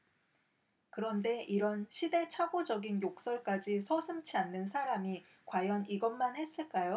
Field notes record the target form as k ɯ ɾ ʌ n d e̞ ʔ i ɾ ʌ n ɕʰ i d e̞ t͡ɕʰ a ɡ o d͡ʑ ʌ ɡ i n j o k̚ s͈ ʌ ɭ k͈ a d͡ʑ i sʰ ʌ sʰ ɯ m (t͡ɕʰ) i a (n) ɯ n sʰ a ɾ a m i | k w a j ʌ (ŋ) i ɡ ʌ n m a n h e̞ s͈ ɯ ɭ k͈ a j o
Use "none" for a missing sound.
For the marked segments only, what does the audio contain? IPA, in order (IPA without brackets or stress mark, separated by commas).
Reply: t͡ɕʰ, nː, n